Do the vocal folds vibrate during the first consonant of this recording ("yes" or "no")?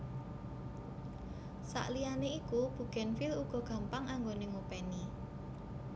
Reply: no